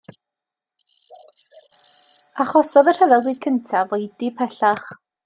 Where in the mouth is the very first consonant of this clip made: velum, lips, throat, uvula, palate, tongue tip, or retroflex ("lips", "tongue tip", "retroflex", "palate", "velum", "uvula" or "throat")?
uvula